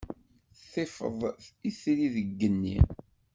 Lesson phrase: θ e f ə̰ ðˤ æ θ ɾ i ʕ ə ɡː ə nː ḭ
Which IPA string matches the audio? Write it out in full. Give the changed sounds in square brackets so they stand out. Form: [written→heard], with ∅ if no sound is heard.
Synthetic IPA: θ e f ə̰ ðˤ [æ→i] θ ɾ i [ʕ→ð] ə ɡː ə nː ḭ